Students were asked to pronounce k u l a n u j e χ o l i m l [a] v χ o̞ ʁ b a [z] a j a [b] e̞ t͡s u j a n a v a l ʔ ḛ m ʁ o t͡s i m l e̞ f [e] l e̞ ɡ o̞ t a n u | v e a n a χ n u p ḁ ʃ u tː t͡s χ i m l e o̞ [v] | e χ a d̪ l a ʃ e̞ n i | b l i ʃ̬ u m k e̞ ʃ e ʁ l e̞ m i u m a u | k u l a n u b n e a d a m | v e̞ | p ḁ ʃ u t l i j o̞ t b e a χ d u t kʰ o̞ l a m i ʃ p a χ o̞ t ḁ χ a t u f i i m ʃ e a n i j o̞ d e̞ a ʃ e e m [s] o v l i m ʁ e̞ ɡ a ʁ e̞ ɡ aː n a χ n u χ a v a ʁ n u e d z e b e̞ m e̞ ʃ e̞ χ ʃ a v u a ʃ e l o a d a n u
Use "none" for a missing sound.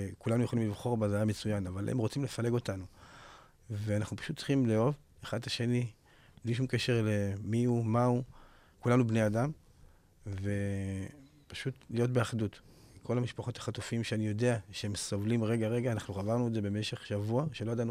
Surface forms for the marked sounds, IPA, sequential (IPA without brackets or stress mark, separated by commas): i, z, m, a, v, s